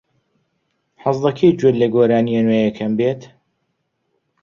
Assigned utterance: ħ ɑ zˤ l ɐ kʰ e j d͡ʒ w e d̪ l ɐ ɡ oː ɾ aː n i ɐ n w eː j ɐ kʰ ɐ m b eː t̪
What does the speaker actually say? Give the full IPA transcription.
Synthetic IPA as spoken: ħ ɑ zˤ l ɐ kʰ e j d͡ʒ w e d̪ l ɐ ɡ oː ɾ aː n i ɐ n w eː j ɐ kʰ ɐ m b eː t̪